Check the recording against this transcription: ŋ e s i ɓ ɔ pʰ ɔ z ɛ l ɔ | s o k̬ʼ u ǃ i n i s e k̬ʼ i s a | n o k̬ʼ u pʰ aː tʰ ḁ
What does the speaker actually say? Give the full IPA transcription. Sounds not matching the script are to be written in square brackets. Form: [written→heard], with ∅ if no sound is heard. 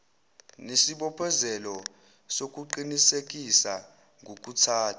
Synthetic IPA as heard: [ŋ→n] e s i ɓ ɔ pʰ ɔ z ɛ l ɔ | s o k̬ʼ u ǃ i n i s e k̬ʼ i s a | [n→ŋ] o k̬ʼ u [pʰ→tʰ] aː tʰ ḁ